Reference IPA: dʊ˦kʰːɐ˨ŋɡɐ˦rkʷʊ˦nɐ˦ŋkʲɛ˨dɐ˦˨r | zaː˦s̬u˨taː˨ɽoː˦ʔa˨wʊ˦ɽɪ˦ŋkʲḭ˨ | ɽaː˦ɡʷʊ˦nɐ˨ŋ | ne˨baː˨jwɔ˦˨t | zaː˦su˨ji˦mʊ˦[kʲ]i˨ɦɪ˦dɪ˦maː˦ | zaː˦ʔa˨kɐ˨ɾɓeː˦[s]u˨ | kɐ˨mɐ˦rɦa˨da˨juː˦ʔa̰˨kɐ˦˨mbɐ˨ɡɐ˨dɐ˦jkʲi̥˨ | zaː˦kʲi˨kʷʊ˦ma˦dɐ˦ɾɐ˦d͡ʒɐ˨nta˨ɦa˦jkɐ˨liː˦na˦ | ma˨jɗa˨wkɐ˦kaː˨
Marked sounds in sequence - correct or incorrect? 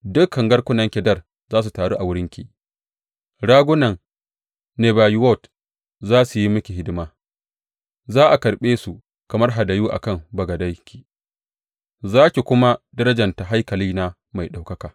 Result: correct, correct

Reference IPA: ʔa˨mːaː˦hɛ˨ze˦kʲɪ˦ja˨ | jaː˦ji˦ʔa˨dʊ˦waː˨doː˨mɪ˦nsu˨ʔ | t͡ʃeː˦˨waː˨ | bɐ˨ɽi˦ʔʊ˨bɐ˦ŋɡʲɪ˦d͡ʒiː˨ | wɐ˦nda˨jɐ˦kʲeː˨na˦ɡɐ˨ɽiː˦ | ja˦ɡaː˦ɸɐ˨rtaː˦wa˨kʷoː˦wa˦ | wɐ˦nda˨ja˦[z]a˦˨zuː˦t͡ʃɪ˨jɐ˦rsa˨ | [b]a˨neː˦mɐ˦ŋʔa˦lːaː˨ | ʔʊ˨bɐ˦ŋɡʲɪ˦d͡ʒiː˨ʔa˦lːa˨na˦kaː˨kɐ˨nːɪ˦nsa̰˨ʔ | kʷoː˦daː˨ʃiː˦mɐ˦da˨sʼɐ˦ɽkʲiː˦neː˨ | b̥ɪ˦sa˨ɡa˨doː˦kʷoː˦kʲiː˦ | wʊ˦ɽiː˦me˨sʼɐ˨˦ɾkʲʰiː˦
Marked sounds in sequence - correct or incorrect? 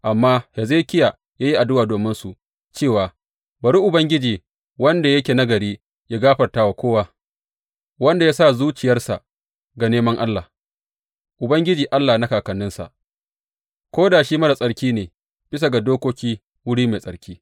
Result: incorrect, incorrect

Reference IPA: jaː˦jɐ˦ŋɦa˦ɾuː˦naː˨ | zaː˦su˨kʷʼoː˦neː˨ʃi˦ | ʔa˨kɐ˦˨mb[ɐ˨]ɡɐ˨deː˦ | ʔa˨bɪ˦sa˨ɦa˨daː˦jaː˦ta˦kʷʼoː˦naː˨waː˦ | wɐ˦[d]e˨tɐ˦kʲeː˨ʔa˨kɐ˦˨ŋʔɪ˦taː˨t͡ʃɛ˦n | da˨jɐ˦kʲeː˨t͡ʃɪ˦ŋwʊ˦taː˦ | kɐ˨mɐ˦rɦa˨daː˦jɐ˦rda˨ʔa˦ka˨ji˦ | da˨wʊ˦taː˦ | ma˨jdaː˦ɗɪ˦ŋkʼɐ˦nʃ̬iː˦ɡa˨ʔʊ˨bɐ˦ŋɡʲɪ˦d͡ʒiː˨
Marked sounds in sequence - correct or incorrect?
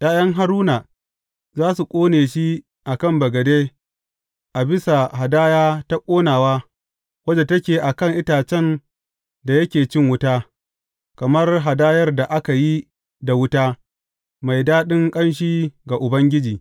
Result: correct, incorrect

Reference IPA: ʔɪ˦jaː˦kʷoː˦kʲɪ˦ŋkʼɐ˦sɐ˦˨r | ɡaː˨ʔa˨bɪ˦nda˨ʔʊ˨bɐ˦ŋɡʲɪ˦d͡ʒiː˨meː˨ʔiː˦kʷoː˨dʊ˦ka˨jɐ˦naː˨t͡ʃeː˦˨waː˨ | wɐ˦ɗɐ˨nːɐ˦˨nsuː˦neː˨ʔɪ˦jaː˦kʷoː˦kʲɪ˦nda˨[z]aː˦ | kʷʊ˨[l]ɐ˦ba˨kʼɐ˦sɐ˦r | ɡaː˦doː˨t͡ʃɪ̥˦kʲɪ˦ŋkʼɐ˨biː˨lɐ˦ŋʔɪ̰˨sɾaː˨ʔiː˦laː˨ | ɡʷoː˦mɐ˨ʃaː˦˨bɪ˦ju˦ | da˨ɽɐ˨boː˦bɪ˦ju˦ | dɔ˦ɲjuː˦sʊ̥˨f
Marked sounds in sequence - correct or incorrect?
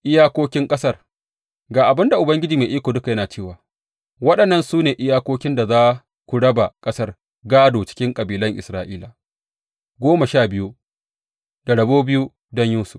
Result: correct, incorrect

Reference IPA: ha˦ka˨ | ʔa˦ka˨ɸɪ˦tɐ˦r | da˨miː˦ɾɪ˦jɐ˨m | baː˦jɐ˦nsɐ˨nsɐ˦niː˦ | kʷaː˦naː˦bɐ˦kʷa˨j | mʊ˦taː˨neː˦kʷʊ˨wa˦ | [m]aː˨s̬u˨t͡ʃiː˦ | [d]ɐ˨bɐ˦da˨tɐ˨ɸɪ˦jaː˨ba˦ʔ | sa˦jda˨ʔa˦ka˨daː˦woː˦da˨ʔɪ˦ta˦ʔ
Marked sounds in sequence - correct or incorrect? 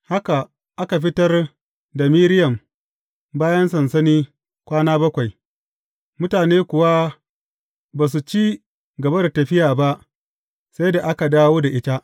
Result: incorrect, incorrect

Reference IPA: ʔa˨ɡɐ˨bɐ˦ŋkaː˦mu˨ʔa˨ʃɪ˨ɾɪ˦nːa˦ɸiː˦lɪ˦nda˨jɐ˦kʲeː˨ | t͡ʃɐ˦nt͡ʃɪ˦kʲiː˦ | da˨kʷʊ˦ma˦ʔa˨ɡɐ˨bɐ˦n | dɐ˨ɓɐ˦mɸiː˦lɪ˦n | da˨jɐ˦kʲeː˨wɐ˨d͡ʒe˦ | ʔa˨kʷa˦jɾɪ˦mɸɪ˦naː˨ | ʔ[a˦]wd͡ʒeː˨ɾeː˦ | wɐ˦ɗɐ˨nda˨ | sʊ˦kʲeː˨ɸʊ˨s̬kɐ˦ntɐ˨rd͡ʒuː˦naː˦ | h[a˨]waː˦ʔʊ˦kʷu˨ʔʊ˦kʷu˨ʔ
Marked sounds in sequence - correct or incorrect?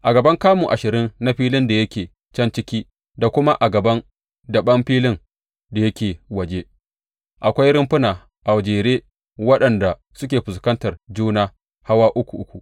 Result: incorrect, incorrect

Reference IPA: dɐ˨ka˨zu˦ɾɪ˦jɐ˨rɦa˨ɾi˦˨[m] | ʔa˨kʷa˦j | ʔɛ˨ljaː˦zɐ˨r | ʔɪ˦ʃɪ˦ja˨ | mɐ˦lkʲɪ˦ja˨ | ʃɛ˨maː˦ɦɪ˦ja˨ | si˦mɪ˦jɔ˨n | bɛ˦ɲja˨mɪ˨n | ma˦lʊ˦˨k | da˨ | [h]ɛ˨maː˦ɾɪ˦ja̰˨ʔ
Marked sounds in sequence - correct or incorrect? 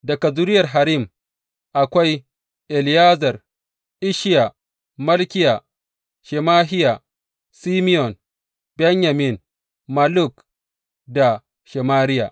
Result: correct, incorrect

